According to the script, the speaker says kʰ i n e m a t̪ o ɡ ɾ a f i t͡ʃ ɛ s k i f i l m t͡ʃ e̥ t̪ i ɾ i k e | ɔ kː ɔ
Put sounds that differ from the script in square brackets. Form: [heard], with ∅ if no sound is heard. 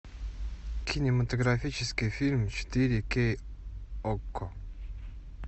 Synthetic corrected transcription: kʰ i n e m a t̪ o ɡ ɾ a f i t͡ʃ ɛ s k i f i l m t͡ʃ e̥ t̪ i ɾ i k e | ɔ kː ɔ